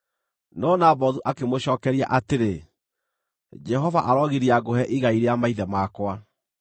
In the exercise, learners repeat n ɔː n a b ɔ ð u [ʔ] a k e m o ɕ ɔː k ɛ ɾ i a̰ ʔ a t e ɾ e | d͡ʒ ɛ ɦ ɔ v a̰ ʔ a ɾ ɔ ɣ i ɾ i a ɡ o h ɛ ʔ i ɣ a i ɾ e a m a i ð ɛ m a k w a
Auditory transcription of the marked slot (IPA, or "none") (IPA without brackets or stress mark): ʔ